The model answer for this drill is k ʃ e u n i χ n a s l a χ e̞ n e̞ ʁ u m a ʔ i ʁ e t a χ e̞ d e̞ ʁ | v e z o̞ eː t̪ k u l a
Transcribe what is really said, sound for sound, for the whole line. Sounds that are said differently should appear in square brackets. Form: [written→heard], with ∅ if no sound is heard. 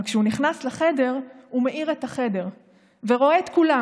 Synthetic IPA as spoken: k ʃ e u n i χ n a s l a χ e̞ [n→d] e̞ ʁ u m [a→e] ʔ i ʁ e t a χ e̞ d e̞ ʁ | v e [z→ʁ] o̞ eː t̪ k u l a